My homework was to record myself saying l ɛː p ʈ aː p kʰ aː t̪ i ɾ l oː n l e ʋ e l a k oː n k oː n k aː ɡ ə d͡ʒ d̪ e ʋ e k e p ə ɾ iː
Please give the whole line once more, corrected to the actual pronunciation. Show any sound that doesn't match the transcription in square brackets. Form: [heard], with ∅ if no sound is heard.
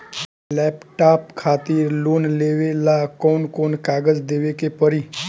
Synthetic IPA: l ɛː p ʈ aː p kʰ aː t̪ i ɾ l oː n l e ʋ e l a k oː n k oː n k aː ɡ ə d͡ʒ d̪ e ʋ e k e p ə ɾ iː

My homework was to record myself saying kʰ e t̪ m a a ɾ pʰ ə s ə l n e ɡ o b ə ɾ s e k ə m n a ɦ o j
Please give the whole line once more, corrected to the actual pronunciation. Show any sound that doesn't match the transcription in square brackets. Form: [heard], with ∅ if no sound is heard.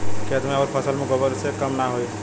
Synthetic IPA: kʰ e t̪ m [e] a ɾ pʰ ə s ə l [m] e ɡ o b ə ɾ s e k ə m n a ɦ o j

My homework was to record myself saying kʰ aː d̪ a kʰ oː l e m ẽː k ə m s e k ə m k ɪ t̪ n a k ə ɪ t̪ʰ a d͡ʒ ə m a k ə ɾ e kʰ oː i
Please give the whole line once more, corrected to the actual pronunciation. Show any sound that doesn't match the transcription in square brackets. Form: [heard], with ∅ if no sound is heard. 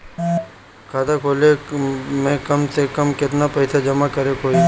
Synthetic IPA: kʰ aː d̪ a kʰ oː l e m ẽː k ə m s e k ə m k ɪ t̪ n a [p] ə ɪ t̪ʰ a d͡ʒ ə m a k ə ɾ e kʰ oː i

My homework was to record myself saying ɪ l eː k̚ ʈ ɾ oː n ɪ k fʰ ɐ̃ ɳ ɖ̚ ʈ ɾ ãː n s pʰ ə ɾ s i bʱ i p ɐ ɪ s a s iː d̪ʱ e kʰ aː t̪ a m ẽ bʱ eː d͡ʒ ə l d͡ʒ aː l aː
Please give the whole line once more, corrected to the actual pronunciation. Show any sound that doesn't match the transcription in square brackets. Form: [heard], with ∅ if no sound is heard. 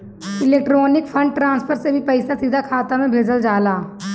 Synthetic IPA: ɪ l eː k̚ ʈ ɾ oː n ɪ k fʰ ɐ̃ ɳ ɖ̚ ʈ ɾ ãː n s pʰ ə ɾ s [e] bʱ i p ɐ ɪ s a s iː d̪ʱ [a] kʰ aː t̪ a m ẽ bʱ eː d͡ʒ ə l d͡ʒ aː l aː

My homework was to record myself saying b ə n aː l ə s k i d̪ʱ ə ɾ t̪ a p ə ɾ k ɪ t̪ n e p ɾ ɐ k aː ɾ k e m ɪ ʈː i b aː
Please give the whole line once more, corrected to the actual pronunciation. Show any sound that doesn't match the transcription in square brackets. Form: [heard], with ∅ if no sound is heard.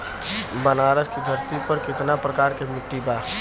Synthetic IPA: b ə n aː [ɾ] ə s k i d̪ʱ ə ɾ t̪ [i] p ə ɾ k ɪ t̪ n [a] p ɾ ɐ k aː ɾ k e m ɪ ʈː i b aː

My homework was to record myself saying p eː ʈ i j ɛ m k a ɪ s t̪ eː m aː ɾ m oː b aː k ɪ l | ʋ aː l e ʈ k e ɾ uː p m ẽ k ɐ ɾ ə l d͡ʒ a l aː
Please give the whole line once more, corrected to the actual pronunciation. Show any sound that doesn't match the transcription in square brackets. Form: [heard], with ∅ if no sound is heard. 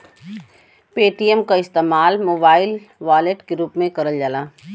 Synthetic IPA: p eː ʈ i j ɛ m k a ɪ s t̪ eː m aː [l] m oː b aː [∅] ɪ l | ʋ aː l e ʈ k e ɾ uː p m ẽ k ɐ ɾ ə l d͡ʒ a l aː

